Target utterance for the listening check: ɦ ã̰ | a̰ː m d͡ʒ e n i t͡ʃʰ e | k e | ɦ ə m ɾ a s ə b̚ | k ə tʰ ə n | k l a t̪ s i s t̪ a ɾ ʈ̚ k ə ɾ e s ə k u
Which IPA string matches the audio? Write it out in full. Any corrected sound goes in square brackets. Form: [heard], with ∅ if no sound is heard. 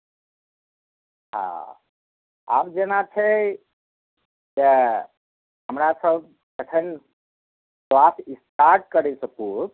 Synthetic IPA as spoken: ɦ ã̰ | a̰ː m d͡ʒ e n [a] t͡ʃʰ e | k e | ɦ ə m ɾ a s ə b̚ | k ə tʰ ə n | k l a [∅] s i s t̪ a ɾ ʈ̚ k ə ɾ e s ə k u